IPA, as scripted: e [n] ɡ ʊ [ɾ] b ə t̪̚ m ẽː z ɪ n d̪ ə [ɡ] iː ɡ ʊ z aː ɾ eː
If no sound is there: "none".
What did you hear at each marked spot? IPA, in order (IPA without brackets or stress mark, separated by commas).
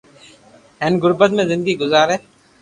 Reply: n, ɾ, ɡ